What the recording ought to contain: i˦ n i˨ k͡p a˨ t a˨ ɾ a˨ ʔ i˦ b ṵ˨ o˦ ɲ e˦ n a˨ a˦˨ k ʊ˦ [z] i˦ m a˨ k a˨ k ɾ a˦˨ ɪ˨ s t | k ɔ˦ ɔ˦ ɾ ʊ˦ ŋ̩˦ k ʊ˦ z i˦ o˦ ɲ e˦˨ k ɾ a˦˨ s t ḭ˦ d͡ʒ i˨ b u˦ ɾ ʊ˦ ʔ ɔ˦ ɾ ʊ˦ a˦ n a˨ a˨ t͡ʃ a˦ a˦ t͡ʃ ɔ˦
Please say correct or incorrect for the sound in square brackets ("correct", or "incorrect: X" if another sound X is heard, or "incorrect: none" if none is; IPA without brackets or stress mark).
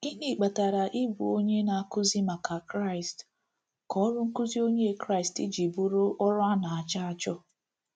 correct